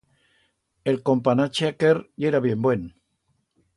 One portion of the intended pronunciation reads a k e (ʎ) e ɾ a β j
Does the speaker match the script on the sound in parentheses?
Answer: no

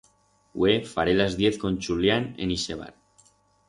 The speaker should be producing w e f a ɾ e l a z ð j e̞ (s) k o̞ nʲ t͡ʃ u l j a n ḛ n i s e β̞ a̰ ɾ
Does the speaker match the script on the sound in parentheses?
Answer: no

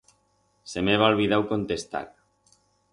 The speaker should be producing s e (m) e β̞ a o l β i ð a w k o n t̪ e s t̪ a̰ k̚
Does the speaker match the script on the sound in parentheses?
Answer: yes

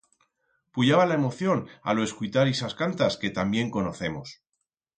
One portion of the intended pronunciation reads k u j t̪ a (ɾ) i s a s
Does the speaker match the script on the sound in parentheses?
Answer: yes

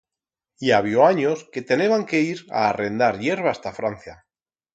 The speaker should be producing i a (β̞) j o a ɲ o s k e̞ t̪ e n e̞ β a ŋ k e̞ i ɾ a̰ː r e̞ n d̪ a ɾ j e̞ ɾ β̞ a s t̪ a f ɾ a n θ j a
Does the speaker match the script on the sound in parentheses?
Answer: yes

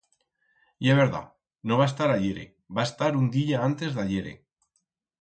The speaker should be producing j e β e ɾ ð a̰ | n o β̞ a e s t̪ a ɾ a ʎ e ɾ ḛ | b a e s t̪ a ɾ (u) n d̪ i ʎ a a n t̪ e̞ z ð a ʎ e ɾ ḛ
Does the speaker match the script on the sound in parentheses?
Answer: yes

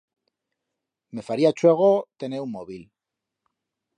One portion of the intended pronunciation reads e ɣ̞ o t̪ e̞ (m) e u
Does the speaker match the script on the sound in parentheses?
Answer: no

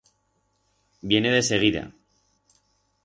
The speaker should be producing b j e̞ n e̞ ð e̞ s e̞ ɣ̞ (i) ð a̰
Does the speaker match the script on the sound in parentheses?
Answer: yes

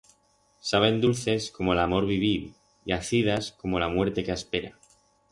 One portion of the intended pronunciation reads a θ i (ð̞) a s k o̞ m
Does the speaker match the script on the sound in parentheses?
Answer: yes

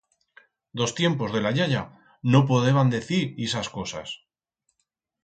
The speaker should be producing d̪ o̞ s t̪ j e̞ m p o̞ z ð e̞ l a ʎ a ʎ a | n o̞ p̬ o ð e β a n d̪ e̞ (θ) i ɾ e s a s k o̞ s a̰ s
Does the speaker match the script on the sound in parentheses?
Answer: yes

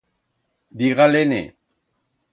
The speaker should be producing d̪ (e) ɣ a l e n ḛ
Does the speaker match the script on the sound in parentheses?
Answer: no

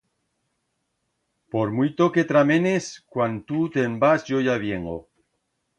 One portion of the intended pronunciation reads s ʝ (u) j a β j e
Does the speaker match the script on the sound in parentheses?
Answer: no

